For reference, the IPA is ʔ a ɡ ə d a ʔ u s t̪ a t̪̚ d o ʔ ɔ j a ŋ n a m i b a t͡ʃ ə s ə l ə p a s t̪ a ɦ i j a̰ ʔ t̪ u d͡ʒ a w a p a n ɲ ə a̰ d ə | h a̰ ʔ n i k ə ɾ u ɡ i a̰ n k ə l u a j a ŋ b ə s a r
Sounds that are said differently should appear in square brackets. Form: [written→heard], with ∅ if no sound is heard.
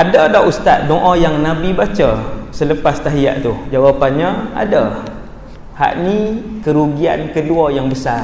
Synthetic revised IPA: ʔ a [ɡ→d] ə d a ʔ u s t̪ a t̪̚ d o ʔ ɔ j a ŋ n a [m→b] i b a t͡ʃ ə s ə l ə p a s t̪ a ɦ i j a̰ ʔ t̪ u d͡ʒ a w a p a n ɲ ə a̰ d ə | h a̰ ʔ n i k ə ɾ u ɡ i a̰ n k ə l u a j a ŋ b ə s a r